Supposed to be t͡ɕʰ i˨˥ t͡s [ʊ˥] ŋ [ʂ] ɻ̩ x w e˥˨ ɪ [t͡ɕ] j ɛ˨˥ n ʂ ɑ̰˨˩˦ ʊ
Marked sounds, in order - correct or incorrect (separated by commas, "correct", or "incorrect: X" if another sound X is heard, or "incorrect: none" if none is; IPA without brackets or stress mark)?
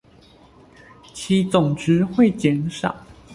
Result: incorrect: ʊ˨˩, incorrect: ʈ͡ʂ, correct